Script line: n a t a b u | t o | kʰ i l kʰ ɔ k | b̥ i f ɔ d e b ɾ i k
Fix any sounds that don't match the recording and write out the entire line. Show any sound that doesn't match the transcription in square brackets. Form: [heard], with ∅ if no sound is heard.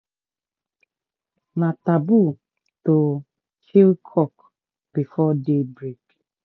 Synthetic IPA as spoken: n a t a b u | t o | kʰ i l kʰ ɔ k | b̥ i f ɔ d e b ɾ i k